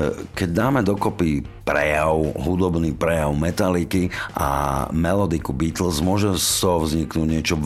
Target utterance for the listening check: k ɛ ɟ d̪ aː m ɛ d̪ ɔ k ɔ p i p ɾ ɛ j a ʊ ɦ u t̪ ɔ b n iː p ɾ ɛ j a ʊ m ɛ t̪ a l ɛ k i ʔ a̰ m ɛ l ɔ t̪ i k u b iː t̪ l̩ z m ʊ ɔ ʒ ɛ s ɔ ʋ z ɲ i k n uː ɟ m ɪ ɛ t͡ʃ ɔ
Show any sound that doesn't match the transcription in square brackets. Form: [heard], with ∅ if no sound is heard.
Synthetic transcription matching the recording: k ɛ ɟ d̪ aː m ɛ d̪ ɔ k ɔ p i p ɾ ɛ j a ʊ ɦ u [d̪] ɔ b n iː p ɾ ɛ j a ʊ m ɛ t̪ a l [i] k i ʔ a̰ m ɛ l ɔ [d̪] i k u b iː t̪ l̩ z m ʊ ɔ ʒ ɛ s ɔ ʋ z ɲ i k n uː ɟ [ɲ] ɪ ɛ t͡ʃ ɔ